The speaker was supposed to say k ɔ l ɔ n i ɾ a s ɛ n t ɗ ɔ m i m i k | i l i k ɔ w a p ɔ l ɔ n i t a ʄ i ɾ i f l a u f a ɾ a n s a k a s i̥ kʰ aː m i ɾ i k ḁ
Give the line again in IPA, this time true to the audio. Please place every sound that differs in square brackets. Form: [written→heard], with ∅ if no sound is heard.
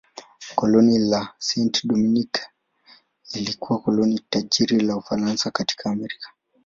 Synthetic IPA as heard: k ɔ l ɔ n i [ɾ→l] a s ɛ n t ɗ ɔ m i [m→n] i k | i l i k [ɔ→u] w a [p→k] ɔ l ɔ n i t a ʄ i ɾ i [f→∅] l a u f a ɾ a n s a k a [s→t] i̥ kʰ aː m [i→ɛ] ɾ i k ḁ